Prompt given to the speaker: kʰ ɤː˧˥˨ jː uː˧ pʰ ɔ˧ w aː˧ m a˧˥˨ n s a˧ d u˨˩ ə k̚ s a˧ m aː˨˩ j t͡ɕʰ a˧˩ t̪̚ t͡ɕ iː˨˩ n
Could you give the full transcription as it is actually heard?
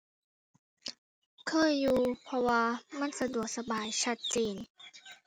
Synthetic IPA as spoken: kʰ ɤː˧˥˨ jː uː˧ pʰ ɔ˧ w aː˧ m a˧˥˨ n s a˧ d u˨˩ ə k̚ s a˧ b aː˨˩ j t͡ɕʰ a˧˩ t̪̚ t͡ɕ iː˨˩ n

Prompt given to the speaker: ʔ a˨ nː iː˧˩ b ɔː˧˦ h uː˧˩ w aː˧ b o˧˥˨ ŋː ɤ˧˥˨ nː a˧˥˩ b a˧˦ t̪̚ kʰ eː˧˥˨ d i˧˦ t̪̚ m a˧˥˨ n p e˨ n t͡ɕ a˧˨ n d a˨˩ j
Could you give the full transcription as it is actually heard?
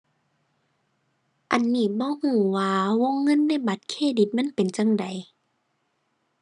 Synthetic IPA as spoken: ʔ a˨ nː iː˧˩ b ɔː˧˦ h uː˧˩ w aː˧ w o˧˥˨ ŋː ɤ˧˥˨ nː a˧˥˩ b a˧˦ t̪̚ kʰ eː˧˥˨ d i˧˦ t̪̚ m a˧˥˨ n p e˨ n t͡ɕ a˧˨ ŋ d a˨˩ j

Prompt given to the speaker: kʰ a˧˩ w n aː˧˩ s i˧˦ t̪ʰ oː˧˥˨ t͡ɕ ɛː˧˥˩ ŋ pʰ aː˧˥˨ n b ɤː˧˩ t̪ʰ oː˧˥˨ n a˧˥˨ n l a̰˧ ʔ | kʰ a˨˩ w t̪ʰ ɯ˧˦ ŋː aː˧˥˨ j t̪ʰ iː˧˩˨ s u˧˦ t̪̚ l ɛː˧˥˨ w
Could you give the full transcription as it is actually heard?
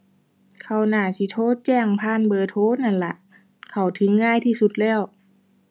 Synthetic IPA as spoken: kʰ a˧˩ w n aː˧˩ s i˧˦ t̪ʰ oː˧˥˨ t͡ɕ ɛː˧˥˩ ŋ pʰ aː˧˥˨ n b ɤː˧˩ t̪ʰ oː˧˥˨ n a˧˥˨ n l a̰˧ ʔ | kʰ a˨˩ w t̪ʰ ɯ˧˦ ŋː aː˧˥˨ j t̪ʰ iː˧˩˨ s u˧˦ t̪̚ l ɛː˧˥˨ w

